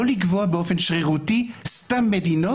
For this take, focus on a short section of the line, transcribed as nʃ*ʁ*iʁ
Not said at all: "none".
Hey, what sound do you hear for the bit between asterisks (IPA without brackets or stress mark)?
ʁ